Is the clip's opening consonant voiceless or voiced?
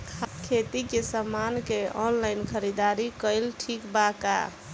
voiceless